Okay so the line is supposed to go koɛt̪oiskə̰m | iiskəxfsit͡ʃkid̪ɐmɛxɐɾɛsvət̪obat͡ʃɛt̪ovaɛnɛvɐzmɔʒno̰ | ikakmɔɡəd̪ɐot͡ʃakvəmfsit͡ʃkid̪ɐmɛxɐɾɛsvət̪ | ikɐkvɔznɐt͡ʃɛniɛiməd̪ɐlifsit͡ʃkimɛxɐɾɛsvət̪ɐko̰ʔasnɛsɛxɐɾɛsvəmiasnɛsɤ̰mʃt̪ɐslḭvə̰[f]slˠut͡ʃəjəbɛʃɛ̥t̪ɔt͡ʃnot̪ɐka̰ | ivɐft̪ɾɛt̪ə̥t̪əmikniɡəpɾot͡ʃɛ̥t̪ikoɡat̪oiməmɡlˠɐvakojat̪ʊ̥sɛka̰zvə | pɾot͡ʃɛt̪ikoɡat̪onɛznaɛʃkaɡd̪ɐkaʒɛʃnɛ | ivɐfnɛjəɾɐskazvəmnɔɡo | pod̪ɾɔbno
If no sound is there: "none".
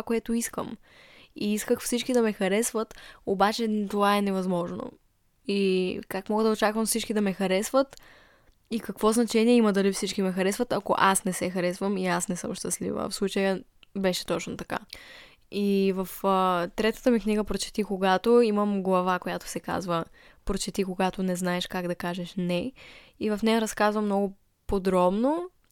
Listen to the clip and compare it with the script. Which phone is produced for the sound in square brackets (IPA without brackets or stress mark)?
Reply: f